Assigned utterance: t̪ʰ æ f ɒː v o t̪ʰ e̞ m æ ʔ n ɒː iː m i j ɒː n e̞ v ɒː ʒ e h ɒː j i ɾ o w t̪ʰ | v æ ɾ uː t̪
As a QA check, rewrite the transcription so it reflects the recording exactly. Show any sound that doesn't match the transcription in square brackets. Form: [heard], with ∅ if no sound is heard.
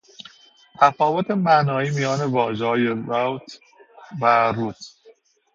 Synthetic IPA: t̪ʰ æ f ɒː v o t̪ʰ e̞ m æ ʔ n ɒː iː m i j ɒː n e̞ v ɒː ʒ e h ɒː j [e] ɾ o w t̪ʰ | v æ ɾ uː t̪

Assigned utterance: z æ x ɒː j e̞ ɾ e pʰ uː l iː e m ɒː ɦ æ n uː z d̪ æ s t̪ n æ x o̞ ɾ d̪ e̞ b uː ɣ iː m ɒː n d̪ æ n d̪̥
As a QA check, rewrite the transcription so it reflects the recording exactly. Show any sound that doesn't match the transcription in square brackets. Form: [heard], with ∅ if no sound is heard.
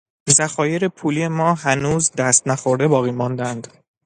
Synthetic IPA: z æ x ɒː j e̞ ɾ e pʰ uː l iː e m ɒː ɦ æ n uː z d̪ æ s t̪ n æ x o̞ ɾ d̪ e̞ b [ɒː] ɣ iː m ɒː n d̪ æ n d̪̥

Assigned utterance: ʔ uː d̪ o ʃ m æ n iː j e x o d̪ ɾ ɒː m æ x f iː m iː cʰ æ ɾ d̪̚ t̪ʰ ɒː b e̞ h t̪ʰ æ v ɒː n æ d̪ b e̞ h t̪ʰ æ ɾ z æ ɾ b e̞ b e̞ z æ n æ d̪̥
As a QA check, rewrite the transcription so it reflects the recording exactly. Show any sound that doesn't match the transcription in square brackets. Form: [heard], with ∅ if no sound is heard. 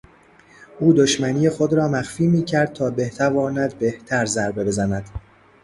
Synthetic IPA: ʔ uː d̪ o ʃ m æ n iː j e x o d̪ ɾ ɒː m æ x f iː m iː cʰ æ ɾ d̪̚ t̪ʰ ɒː b e̞ h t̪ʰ æ v ɒː n æ d̪ b e̞ h t̪ʰ æ ɾ z æ ɾ b e̞ b e̞ z æ n æ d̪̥

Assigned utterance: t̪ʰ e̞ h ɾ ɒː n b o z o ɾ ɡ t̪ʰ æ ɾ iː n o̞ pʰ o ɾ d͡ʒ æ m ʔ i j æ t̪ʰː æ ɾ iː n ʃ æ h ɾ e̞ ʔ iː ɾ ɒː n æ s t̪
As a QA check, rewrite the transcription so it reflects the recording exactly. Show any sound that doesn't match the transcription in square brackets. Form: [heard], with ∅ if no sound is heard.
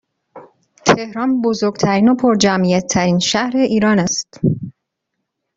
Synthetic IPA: t̪ʰ e̞ h ɾ ɒː n b o z o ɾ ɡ t̪ʰ æ ɾ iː n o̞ pʰ o ɾ d͡ʒ æ m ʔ i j æ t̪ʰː æ ɾ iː n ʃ æ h ɾ e̞ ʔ iː ɾ ɒː n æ s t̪

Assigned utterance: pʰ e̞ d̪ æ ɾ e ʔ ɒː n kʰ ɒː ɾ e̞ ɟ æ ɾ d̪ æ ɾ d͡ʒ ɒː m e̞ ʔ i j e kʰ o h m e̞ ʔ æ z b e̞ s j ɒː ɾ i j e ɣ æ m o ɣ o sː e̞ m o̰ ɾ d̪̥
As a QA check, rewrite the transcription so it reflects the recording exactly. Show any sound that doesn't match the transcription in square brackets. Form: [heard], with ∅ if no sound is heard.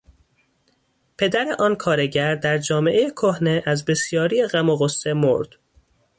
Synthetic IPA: pʰ e̞ d̪ æ ɾ e ʔ ɒː n kʰ ɒː ɾ e̞ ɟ æ ɾ d̪ æ ɾ d͡ʒ ɒː m e̞ ʔ [e] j e kʰ o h [n] e̞ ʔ æ z b e̞ s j ɒː ɾ i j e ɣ æ m o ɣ o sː e̞ m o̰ ɾ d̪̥

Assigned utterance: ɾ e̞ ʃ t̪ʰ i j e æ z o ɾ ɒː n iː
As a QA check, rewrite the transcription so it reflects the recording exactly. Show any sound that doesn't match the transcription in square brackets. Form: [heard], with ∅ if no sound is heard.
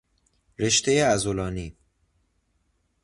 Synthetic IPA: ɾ e̞ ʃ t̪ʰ [e] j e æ z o [l] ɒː n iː

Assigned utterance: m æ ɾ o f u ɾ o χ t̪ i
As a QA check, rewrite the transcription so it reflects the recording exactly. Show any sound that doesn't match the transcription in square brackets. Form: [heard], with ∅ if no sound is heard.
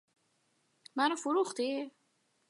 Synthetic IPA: m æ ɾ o f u ɾ [u] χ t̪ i

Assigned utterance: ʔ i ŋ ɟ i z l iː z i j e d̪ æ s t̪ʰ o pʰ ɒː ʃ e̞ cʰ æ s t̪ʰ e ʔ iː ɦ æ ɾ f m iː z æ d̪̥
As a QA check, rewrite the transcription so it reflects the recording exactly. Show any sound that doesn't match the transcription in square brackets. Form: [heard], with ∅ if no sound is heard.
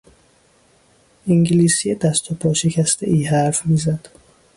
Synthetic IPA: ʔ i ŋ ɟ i [∅] l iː [s] i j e d̪ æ s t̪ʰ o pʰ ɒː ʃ e̞ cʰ æ s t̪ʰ e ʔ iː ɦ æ ɾ f m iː z æ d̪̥

